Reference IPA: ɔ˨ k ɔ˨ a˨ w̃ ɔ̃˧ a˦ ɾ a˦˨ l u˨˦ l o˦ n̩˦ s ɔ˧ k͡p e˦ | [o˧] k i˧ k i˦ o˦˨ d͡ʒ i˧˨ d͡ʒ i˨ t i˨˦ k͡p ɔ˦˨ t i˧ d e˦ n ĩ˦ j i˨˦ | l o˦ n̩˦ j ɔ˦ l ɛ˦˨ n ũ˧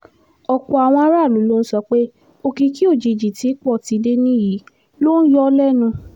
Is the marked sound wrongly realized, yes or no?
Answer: no